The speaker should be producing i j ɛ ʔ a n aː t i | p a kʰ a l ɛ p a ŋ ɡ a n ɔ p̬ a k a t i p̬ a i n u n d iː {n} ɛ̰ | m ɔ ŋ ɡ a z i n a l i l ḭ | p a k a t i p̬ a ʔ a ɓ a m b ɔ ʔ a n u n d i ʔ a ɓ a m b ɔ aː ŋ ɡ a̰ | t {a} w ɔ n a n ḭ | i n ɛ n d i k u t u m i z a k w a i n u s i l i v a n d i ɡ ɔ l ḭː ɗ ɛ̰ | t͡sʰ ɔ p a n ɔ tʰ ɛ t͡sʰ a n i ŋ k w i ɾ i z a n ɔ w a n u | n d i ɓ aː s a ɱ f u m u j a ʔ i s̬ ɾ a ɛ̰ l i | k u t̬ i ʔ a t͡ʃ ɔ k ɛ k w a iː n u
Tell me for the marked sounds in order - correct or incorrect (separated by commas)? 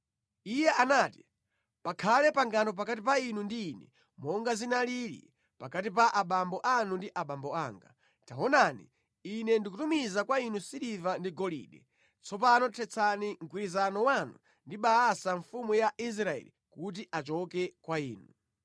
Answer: correct, correct